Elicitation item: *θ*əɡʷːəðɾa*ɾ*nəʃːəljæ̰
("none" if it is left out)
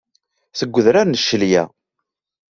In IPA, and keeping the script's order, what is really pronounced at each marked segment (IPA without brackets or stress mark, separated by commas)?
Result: θ, ɾ